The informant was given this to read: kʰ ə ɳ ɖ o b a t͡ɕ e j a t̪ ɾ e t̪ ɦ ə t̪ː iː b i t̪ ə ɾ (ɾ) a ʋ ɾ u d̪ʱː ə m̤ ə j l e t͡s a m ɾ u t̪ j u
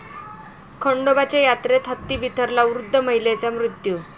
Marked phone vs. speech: incorrect: l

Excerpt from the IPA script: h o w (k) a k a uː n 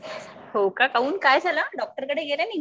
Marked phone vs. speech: correct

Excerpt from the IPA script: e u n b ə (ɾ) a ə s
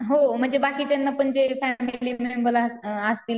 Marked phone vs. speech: incorrect: l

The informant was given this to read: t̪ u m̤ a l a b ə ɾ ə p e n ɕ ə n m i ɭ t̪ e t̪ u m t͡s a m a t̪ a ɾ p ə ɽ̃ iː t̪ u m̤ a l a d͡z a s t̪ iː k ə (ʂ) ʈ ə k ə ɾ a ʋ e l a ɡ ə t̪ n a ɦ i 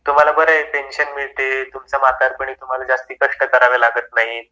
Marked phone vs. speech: correct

